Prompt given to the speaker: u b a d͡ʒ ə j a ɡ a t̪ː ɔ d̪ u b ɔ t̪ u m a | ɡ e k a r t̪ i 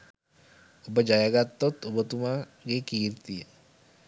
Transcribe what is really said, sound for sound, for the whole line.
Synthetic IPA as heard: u b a d͡ʒ a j a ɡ a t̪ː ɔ t̪ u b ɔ t̪ u m a | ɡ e k i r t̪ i

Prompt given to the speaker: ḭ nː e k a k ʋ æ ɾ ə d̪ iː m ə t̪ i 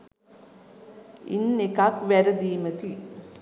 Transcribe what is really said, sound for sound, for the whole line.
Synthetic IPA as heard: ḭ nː e k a k ʋ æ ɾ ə d̪ iː m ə t̪ i

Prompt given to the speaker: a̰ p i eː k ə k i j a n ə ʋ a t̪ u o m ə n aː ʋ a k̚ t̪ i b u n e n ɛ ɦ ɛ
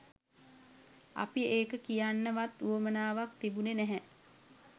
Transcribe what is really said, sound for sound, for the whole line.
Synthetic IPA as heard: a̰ p i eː k ə k i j a nː ə ʋ a t̪ u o m ə n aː ʋ a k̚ t̪ i b u n e n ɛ ɦ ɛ

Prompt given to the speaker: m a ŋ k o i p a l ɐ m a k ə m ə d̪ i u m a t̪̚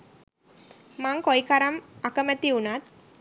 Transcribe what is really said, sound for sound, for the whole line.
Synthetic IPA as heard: m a ŋ k o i k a ɾ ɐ m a k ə m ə t̪ i u n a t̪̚

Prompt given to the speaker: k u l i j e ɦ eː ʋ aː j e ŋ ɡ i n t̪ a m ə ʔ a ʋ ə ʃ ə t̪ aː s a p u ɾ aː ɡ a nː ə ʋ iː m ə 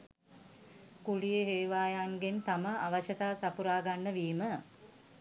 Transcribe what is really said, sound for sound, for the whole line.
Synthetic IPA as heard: k u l i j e ɦ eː ʋ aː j a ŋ ɡ e n t̪ a m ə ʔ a ʋ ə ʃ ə t̪ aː s a p u ɾ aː ɡ a nː ə ʋ iː m ə

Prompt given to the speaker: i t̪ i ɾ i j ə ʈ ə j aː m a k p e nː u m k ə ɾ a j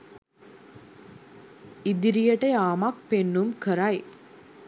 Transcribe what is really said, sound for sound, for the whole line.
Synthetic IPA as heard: i d̪ i ɾ i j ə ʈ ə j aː m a k p e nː u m k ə ɾ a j

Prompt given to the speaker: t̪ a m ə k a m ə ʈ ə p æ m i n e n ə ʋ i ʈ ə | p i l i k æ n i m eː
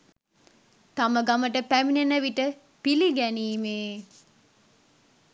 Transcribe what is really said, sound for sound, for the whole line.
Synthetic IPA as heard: t̪ a m ə ɡ a m ə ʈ ə p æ m i n e n ə ʋ i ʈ ə | p i l i ɡ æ n iː m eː

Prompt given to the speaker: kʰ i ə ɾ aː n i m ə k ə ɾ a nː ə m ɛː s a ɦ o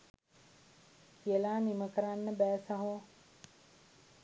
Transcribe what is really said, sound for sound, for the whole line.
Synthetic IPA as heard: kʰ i ə l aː n i m ə k ə ɾ a nː ə b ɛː s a ɦ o

